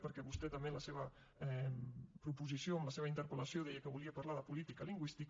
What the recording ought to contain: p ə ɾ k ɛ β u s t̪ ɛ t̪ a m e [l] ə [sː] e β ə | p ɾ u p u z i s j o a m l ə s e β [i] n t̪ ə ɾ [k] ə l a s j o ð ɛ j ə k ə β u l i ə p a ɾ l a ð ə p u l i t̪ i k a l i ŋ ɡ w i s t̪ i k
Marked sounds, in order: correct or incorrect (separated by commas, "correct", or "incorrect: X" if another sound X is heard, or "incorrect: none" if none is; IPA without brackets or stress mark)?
correct, incorrect: s, correct, incorrect: p